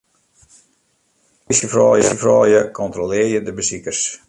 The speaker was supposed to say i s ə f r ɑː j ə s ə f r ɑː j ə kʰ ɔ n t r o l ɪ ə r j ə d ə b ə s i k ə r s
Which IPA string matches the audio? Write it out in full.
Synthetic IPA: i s ə f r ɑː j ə s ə f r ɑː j ə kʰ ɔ n t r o l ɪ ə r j ə d ə b ə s i k ə r s